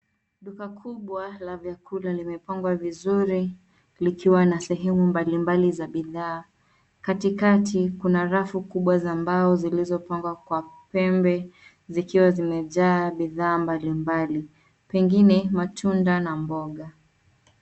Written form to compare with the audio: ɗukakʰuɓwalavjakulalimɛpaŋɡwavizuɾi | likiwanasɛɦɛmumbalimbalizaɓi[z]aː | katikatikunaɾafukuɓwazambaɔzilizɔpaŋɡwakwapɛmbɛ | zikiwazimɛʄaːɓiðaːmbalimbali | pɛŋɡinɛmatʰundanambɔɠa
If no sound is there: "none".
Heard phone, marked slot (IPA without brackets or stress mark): ð